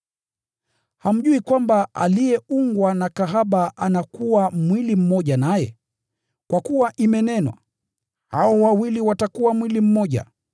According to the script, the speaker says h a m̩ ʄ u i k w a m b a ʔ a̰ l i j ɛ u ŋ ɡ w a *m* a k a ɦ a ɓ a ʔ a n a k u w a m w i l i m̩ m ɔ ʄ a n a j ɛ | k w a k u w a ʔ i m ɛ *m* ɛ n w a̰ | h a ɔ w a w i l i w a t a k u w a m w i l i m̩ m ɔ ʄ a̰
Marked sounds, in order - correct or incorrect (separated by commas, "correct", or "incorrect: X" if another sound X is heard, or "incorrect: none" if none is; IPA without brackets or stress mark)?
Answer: incorrect: n, incorrect: n